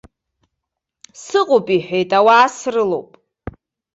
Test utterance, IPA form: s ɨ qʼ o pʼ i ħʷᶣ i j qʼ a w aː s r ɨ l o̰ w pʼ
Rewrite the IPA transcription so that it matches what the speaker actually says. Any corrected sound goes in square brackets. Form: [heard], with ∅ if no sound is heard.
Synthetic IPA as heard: s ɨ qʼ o pʼ i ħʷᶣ [e] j [tʼ] a w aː s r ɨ l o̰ w pʼ

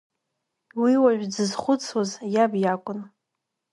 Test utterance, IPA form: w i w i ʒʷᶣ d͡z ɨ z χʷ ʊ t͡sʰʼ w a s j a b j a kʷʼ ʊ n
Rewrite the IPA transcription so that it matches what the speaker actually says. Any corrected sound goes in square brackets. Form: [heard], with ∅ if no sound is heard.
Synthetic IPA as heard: w i w [a] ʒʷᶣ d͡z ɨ z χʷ ʊ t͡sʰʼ w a [z] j a b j a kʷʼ ʊ n

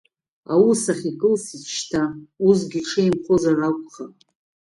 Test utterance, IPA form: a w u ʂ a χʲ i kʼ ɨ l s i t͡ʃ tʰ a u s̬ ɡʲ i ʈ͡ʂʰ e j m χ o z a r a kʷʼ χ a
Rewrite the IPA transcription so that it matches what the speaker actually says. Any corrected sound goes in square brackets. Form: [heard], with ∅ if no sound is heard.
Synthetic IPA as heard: a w u [s] a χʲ i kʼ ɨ l s i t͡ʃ tʰ a u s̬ ɡʲ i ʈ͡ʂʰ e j m χ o z a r a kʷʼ χ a

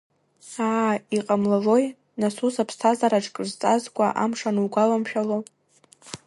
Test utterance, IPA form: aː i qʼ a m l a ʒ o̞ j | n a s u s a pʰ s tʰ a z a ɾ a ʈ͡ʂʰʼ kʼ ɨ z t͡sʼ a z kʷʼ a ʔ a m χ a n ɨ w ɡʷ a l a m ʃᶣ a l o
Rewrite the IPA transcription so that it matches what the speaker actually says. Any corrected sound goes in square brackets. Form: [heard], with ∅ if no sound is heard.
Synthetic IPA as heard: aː i qʼ a m l a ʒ o̞ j | n a s u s a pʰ s tʰ a z a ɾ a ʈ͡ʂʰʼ kʼ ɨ z t͡sʼ a z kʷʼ a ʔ a m [ʂ] a n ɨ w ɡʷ a l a m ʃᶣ a l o

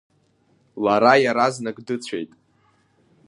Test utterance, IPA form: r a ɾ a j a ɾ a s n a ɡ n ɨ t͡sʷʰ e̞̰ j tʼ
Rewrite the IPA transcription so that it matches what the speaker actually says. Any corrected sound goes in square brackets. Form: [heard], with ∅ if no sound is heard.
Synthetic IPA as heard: [l] a ɾ a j a ɾ a [z] n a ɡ [d] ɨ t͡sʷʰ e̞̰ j tʼ

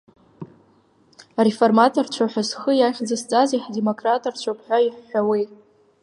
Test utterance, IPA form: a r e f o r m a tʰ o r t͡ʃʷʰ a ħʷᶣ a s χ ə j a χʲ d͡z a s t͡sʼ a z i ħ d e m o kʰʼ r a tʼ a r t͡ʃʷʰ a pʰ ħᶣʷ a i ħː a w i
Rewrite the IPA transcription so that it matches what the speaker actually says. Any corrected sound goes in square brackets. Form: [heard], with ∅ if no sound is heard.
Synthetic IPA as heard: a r e f o r m a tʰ o r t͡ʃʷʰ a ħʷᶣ a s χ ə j a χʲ d͡z a s t͡sʼ a z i ħ d e m o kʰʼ r a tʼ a r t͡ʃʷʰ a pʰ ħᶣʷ a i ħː a w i

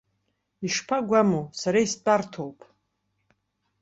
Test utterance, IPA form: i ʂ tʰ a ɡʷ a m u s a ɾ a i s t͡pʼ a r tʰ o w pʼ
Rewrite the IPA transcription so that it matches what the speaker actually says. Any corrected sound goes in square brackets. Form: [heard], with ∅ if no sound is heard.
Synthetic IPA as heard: i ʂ [pʰ] a ɡʷ a m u s a ɾ a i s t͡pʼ a r tʰ o w pʼ

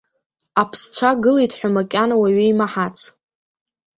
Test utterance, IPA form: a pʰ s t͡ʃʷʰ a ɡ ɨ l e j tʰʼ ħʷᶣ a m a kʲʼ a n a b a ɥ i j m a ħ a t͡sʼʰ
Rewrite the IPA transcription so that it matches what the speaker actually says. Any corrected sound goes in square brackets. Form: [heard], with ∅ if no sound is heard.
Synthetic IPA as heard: a pʰ s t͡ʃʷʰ a ɡ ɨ l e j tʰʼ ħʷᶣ a m a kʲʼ a n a [w] a ɥ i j m a ħ a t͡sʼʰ

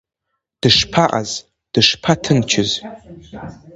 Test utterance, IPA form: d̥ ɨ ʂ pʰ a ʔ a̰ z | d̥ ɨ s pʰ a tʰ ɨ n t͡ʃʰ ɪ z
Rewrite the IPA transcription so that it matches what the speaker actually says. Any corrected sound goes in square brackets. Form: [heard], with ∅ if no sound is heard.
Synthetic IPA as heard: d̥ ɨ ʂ pʰ a ʔ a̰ z | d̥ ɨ [ʂ] pʰ a tʰ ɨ n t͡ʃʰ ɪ z

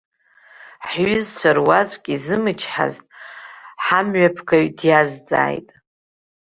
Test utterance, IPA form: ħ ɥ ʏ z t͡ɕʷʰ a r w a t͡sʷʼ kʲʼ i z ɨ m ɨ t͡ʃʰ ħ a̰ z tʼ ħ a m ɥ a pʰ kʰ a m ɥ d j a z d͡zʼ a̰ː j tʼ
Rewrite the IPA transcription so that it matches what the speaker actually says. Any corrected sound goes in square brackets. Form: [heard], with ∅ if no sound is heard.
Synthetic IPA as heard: ħ ɥ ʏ z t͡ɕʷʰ a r w a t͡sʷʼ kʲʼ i z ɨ m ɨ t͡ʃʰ ħ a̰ z tʼ ħ a m ɥ a pʰ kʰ a [∅] ɥ d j a z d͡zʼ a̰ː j tʼ

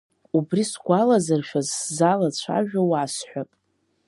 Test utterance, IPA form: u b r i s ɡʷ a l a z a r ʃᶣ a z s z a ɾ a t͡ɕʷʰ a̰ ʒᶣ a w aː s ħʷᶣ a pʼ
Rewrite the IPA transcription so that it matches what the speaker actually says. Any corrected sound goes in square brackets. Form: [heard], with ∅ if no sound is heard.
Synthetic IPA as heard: u b r i s ɡʷ a l a z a r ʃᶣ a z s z a [l] a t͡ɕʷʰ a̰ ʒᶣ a w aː s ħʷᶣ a pʼ

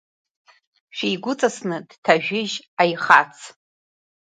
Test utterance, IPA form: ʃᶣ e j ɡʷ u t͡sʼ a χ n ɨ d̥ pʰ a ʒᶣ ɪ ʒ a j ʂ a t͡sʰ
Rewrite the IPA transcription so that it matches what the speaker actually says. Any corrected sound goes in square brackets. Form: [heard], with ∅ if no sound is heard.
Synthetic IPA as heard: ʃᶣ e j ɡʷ [ʊ] t͡sʼ a [s] n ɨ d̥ [tʰ] a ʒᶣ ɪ ʒ a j [χ] a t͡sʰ

